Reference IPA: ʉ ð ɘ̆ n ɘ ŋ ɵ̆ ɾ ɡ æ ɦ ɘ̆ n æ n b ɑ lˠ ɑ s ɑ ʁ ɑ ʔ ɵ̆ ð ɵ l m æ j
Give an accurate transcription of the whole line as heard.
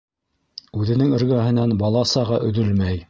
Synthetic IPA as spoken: ʉ ð ɘ̆ n ɘ ŋ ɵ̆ ɾ ɡ æ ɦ ɘ̆ n æ n b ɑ lˠ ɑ s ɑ ʁ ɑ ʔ ɵ̆ ð ɵ l m æ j